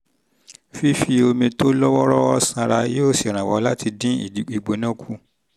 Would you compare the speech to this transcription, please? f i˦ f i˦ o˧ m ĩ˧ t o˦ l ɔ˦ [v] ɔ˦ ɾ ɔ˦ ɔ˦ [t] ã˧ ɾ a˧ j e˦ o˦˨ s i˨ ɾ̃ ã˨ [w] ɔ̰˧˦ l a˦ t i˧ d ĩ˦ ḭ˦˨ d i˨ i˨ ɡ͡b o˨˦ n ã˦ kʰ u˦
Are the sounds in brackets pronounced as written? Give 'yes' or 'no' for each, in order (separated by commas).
no, no, yes